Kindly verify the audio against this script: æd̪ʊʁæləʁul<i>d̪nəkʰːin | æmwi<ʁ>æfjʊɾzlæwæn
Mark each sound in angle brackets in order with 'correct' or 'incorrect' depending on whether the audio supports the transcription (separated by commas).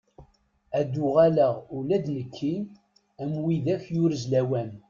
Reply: incorrect, incorrect